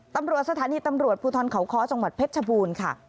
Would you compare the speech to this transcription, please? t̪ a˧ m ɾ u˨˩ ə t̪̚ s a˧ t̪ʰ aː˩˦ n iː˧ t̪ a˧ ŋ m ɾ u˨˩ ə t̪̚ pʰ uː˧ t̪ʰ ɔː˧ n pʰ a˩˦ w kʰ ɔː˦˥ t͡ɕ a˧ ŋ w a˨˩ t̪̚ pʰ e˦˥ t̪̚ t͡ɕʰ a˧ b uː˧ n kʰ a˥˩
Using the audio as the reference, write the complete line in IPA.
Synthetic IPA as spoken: t̪ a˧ m ɾ u˨˩ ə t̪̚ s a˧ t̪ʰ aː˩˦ n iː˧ t̪ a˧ m ɾ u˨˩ ə t̪̚ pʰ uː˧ t̪ʰ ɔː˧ n kʰ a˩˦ w kʰ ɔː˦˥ t͡ɕ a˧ ŋ w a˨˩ t̪̚ pʰ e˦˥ t̪̚ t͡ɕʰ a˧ b uː˧ n kʰ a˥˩